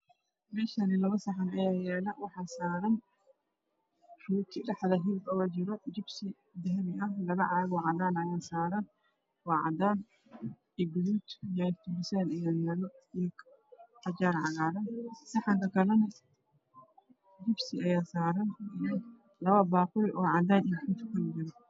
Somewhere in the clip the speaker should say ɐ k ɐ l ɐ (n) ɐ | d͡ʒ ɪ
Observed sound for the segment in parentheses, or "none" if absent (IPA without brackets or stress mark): n